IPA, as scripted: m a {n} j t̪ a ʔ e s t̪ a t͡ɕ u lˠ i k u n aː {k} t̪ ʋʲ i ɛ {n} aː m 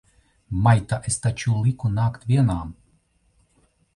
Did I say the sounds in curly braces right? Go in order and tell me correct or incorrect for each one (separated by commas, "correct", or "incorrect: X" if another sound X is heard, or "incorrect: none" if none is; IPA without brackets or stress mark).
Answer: incorrect: none, correct, correct